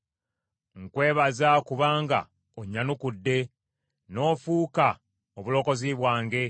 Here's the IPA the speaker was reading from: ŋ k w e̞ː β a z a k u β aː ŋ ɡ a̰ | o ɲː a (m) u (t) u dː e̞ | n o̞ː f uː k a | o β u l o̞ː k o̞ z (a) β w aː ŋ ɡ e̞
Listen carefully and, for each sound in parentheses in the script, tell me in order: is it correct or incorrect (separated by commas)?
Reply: incorrect, incorrect, incorrect